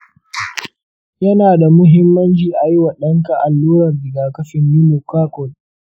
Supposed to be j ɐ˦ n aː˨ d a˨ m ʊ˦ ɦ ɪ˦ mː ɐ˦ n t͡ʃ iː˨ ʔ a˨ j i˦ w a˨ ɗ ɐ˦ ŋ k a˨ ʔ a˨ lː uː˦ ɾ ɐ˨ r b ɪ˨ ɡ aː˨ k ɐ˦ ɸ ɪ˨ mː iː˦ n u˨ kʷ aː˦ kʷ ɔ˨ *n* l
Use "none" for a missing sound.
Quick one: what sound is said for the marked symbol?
none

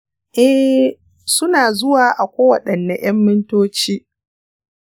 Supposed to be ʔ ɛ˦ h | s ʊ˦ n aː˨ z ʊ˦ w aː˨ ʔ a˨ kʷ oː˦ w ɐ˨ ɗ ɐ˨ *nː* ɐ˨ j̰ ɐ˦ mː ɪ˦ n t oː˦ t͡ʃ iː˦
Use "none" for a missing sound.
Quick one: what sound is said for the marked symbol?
nː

